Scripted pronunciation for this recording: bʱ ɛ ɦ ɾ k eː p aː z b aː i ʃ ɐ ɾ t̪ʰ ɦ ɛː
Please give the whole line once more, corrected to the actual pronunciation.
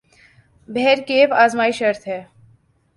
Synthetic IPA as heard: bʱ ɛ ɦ ɾ k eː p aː z m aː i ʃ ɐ ɾ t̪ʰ ɦ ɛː